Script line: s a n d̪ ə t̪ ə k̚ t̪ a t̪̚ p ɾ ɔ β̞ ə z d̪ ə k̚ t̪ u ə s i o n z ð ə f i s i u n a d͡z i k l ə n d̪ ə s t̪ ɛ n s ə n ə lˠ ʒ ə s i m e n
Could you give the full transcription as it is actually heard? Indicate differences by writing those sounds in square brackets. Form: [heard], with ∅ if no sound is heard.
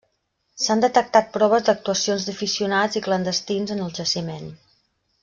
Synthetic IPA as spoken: s a n d̪ ə t̪ ə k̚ t̪ a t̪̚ p ɾ ɔ β̞ ə z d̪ ə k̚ t̪ u ə s i o n z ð ə f i s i u n a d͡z i k l ə n d̪ ə s t̪ [i] n [z] ə n ə lˠ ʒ ə s i m e n